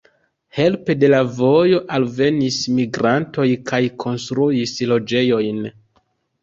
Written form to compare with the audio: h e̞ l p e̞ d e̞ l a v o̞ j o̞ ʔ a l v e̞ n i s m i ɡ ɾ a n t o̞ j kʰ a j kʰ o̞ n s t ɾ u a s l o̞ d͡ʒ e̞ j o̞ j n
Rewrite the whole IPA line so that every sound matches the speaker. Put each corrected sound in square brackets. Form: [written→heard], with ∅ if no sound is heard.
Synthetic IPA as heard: h e̞ l p e̞ d e̞ l a v o̞ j o̞ ʔ a l v e̞ n i s m i ɡ ɾ a n t o̞ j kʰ a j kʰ o̞ n s t ɾ u [a→i] s l o̞ d͡ʒ e̞ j o̞ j n